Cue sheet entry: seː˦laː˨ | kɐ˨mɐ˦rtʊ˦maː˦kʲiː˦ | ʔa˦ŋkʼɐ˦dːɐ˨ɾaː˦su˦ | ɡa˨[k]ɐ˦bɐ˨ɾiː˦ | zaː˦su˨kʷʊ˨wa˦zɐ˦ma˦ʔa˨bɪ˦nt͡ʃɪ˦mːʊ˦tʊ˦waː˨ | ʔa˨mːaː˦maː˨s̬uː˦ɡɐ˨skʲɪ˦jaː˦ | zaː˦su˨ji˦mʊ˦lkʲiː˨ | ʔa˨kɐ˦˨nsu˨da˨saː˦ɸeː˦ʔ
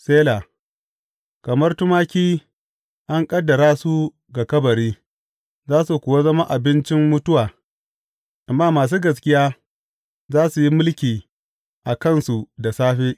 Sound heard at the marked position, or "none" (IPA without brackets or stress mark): k